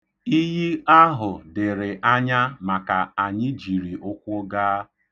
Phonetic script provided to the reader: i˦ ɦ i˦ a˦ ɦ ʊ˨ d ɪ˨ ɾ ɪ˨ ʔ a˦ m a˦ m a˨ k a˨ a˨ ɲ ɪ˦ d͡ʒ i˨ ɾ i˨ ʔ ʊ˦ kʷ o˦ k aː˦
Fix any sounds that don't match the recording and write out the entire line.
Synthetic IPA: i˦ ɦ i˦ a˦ ɦ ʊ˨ d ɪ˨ ɾ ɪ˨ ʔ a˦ ɲ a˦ m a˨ k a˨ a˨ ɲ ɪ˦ d͡ʒ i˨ ɾ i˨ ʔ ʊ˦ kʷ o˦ ɡ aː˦

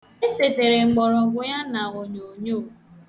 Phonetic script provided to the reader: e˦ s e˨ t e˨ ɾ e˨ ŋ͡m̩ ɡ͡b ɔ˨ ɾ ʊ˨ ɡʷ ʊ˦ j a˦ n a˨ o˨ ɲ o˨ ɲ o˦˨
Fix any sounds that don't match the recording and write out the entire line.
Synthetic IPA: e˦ s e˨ t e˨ ɾ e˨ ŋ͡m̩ ɡ͡b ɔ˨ ɾ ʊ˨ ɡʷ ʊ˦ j a˦ n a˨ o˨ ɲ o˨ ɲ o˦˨

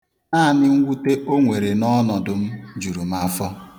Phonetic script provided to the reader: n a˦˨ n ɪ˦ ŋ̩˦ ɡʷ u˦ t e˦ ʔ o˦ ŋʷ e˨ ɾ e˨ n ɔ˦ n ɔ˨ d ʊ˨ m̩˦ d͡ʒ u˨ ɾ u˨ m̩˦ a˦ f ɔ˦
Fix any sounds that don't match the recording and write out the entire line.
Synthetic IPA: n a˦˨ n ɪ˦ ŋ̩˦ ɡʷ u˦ t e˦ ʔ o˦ ŋʷ e˨ ɾ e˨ n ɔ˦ n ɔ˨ d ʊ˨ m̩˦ d͡ʒ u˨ ɾ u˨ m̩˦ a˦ f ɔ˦

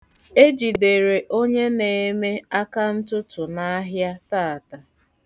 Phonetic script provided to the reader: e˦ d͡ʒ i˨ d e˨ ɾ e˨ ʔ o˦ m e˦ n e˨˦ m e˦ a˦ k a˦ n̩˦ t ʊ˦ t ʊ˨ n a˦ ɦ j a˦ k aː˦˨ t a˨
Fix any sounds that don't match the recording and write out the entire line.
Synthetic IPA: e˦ d͡ʒ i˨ d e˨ ɾ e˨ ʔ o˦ ɲ e˦ n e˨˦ m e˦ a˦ k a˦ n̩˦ t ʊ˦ t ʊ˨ n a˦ ɦ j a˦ t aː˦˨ t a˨

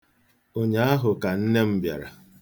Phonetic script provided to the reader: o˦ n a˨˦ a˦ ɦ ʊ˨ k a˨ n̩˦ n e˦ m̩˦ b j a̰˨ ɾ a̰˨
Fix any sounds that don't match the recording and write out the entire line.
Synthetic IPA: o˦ ɲ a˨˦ a˦ ɦ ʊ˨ k a˨ n̩˦ n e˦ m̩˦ b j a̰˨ ɾ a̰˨

